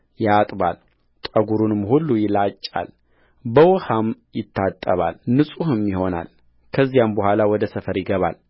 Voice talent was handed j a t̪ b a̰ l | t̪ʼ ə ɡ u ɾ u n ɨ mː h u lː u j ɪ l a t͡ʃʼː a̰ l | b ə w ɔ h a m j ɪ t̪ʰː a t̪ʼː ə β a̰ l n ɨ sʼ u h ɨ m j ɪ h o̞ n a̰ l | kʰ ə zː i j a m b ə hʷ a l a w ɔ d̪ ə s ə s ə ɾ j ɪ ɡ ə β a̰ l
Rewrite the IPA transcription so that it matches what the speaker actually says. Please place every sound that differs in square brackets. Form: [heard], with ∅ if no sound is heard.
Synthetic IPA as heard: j a [t̪ʼ] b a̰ l | t̪ʼ ə ɡ u ɾ u n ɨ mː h u lː u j ɪ l a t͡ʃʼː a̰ l | b ə w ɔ h a m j ɪ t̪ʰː a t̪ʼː ə β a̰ l n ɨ sʼ u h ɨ m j ɪ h o̞ n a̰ l | kʰ ə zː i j a m b ə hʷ a l a w ɔ d̪ ə s ə [f] ə ɾ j ɪ ɡ ə β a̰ l